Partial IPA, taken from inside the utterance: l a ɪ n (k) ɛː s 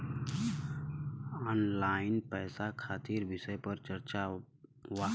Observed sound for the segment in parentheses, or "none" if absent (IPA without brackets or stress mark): p